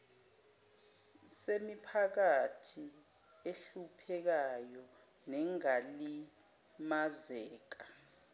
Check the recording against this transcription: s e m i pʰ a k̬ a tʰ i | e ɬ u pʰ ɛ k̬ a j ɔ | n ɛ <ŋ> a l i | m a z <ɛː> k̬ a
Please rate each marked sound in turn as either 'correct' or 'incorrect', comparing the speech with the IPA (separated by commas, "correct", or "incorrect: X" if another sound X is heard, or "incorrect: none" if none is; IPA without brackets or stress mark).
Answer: correct, correct